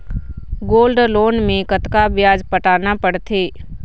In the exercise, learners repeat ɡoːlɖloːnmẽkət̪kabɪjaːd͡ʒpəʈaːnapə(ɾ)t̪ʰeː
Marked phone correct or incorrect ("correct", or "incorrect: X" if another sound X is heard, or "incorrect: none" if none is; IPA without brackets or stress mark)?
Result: incorrect: ɽ